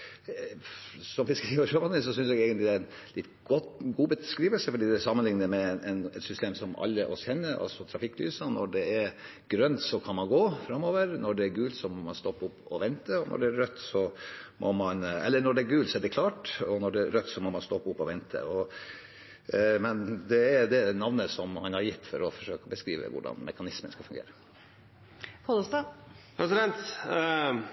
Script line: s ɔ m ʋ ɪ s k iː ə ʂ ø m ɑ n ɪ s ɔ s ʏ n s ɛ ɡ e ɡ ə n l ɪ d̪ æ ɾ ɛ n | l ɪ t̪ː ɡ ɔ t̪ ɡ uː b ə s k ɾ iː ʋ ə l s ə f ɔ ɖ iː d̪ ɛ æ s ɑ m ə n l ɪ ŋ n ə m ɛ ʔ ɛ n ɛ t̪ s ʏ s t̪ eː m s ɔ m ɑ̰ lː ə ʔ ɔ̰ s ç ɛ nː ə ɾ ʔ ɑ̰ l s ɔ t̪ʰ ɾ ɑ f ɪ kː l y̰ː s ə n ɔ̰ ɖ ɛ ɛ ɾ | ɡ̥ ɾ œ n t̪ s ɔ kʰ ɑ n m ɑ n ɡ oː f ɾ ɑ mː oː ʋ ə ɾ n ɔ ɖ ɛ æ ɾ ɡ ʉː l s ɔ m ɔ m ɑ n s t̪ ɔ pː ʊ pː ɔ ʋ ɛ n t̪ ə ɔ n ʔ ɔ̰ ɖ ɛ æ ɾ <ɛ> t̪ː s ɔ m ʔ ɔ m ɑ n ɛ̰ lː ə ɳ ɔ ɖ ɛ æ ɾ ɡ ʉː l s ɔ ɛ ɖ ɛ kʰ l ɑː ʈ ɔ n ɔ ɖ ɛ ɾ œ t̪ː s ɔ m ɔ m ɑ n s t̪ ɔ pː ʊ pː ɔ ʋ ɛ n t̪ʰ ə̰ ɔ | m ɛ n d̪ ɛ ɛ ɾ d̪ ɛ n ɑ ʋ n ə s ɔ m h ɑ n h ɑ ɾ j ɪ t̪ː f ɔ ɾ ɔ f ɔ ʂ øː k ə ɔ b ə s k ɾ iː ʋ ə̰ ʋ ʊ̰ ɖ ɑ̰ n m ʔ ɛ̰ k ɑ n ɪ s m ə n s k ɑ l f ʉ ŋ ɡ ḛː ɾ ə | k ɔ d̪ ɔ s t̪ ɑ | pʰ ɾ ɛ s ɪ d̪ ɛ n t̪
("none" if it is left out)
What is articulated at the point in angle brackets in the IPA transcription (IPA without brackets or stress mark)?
œ